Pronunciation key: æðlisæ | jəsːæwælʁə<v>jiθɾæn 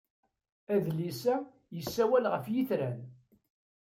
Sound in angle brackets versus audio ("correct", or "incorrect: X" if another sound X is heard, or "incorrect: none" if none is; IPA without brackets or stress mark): incorrect: f